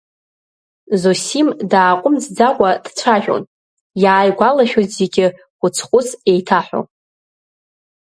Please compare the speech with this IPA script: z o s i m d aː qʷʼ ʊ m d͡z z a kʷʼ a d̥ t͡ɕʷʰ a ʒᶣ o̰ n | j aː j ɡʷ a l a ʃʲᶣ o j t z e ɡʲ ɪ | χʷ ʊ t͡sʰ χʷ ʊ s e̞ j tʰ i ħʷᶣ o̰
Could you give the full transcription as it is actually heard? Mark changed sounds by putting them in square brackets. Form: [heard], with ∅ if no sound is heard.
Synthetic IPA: z o s i m d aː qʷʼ ʊ m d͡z [d͡z] a kʷʼ a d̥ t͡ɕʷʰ a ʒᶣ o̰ n | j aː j ɡʷ a l a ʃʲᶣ o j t z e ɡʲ ɪ | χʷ ʊ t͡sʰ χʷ ʊ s e̞ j tʰ [a] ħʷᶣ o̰